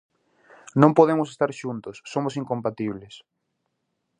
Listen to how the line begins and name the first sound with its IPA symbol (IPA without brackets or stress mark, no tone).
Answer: n